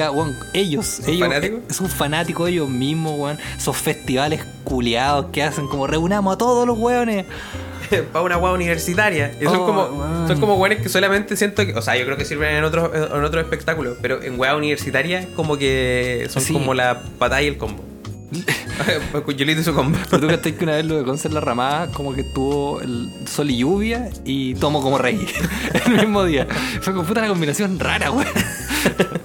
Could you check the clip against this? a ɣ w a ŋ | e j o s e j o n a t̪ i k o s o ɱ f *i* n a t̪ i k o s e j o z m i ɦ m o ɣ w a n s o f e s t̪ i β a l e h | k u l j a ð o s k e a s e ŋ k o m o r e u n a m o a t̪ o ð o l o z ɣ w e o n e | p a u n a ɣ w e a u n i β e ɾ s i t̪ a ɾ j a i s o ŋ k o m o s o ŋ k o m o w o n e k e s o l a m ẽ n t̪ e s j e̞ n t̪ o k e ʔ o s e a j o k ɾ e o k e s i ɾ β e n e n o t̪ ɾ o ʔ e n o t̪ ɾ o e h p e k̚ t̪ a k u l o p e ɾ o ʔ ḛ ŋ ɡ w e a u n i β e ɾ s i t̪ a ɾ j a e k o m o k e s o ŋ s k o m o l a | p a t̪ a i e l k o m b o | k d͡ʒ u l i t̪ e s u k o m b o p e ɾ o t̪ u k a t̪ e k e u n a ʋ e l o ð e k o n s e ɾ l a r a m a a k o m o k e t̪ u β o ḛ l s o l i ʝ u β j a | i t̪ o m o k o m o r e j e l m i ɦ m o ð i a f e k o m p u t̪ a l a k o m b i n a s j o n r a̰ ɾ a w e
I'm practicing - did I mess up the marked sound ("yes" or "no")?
yes